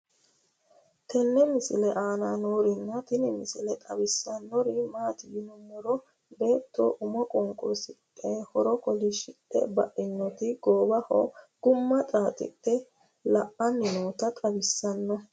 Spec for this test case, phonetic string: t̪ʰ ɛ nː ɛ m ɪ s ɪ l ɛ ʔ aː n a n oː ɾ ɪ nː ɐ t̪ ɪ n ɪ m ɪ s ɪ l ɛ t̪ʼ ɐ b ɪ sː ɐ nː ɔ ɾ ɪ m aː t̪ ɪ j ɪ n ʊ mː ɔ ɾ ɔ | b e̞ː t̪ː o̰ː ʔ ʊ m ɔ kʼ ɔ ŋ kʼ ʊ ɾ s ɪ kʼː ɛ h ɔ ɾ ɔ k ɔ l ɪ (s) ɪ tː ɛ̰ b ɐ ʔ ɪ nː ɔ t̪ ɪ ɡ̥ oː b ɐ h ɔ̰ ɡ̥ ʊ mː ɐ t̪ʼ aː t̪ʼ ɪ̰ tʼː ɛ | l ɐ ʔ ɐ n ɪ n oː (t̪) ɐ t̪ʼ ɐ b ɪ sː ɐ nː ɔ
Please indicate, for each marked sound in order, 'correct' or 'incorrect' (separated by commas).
incorrect, correct